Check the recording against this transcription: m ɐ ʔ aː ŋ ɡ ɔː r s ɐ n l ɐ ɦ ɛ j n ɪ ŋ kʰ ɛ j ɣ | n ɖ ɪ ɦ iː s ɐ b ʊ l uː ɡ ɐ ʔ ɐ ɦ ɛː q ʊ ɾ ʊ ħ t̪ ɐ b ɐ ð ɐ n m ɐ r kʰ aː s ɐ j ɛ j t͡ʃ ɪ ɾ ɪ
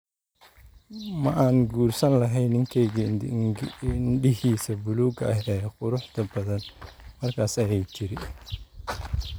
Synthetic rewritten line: m ɐ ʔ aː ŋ ɡ uː r s ɐ n l ɐ ɦ ɛ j n ɪ ŋ kʰ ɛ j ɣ | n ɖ ɪ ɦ iː s ɐ b ʊ l uː ɡ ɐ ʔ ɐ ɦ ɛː q ʊ ɾ ʊ ħ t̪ ɐ b ɐ ð ɐ n m ɐ r kʰ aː s ɐ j ɛ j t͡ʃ ɪ ɾ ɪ